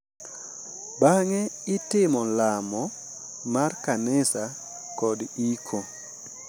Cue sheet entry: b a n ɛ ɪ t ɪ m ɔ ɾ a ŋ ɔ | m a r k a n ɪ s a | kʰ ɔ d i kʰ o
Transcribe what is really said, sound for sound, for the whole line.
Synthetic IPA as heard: b a ŋ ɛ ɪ t ɪ m ɔ l a m ɔ | m a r k a n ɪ s a | k ɔ d i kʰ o